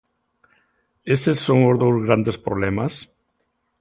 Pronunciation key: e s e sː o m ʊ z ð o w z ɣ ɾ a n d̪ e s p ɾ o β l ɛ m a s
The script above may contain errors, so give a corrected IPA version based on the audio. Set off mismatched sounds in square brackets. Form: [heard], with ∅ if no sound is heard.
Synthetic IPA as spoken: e s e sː o [ŋ] ʊ z ð o w z ɣ ɾ a n d̪ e s p ɾ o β l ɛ m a s

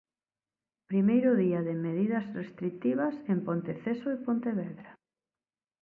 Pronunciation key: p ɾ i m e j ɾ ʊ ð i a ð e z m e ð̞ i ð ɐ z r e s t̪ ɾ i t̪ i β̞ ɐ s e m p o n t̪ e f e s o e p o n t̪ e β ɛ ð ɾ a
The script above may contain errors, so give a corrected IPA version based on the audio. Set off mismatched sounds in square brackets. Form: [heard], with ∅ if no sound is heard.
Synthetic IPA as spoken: p ɾ i m e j ɾ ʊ ð i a ð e [∅] m e ð̞ i ð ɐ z r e s t̪ ɾ i t̪ i β̞ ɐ s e m p o n t̪ e [θ] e s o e p o n t̪ e β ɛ ð ɾ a

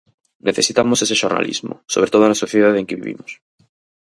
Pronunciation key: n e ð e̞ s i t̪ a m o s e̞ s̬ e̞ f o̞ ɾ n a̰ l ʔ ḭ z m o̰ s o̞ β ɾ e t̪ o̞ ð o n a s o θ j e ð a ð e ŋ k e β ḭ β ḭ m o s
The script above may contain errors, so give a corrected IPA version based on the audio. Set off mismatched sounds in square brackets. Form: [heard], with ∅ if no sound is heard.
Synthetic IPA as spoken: n e [θ] e̞ s i t̪ a m o s e̞ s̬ e̞ [ʃ] o̞ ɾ n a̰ l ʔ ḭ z m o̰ s o̞ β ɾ e t̪ o̞ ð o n a s o θ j e ð a ð e ŋ k e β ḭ β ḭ m o s

